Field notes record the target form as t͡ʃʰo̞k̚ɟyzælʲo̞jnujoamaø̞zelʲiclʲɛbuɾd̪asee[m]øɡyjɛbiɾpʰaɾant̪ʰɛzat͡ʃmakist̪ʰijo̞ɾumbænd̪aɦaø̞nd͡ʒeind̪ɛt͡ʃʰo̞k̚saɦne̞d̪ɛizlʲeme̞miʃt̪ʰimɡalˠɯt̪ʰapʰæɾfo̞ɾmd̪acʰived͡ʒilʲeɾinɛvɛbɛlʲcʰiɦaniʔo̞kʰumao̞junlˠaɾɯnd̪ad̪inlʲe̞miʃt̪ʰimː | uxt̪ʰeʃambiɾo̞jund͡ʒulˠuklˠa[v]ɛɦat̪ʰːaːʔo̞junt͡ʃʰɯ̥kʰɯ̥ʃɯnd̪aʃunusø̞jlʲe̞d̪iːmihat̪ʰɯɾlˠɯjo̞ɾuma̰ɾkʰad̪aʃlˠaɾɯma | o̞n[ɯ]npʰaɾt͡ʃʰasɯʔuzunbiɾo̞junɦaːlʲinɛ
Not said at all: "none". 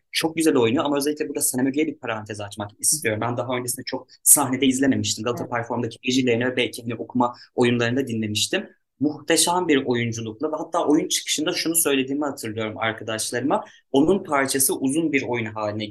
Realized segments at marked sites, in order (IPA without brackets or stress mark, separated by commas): m, v, u